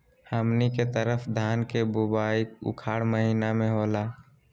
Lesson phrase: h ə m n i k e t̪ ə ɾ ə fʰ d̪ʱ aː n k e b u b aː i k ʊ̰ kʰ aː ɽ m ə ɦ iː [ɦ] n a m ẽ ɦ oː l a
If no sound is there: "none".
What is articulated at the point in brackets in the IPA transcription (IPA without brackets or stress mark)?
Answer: none